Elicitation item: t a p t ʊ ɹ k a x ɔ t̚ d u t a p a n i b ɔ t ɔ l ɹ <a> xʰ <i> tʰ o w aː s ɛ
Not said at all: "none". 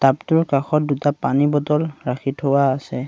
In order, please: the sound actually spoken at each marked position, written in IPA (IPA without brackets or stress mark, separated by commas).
a, i